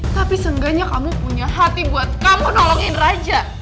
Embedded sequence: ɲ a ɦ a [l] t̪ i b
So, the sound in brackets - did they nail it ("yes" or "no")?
no